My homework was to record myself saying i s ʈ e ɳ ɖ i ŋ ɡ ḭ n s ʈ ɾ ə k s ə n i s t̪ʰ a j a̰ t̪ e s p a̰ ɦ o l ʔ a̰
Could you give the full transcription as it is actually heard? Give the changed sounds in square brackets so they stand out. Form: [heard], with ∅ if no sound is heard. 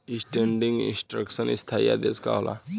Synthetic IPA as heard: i s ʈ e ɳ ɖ i ŋ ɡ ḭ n s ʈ ɾ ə k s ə n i s t̪ʰ a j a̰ [d̪] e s [k] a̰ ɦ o l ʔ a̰